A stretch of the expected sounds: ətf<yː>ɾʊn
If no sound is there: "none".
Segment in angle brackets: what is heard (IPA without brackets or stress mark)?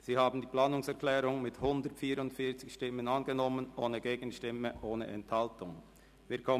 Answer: iː